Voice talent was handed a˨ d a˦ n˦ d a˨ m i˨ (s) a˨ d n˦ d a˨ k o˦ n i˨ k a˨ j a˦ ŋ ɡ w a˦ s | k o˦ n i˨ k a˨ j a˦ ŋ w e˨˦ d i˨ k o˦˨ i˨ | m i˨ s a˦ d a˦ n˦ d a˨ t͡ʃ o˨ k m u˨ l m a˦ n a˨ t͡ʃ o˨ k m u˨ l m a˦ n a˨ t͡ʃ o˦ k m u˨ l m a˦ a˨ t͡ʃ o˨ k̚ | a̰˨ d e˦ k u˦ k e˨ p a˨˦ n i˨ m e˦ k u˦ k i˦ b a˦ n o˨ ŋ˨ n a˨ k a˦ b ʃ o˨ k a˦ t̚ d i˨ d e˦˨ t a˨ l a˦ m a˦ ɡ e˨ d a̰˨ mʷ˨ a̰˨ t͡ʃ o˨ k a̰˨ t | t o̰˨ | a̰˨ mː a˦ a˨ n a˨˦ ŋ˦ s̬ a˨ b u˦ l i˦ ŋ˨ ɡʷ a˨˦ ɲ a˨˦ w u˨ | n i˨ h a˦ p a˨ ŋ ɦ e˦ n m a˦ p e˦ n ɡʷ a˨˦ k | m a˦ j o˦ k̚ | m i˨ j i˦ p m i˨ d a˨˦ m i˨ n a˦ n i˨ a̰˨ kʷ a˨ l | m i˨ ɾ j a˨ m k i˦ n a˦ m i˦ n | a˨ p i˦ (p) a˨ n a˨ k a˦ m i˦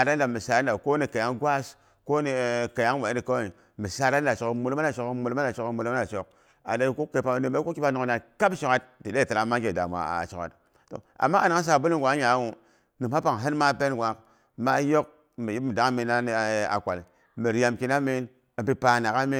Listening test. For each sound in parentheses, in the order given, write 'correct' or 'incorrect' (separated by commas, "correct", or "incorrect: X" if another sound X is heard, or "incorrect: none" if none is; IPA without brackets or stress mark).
correct, correct